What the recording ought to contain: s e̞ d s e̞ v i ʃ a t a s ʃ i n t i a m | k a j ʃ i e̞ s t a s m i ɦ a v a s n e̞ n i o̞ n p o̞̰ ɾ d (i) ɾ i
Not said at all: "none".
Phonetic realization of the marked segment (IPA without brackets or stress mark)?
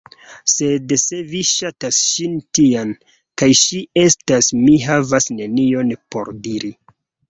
i